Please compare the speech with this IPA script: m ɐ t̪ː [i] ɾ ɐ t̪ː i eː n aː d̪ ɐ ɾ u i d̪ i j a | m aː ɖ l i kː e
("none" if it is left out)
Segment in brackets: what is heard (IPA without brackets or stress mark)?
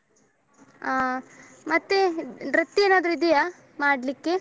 e